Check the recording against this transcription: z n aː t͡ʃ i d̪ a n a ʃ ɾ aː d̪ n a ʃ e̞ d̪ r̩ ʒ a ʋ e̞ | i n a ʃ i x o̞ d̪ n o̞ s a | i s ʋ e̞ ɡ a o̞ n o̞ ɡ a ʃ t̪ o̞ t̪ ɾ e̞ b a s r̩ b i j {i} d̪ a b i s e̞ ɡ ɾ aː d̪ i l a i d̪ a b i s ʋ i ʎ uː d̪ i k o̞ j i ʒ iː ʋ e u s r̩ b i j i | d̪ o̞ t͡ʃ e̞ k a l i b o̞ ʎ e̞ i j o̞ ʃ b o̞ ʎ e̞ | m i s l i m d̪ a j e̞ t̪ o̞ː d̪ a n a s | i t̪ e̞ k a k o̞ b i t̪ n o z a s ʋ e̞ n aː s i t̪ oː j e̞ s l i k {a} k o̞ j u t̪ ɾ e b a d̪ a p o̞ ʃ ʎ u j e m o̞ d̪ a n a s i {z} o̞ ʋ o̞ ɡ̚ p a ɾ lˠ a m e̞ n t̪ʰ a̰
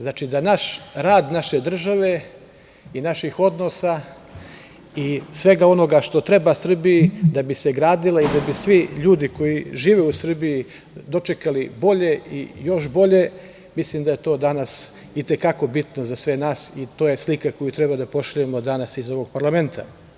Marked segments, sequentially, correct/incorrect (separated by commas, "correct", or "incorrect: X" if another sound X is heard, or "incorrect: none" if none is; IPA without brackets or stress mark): correct, correct, correct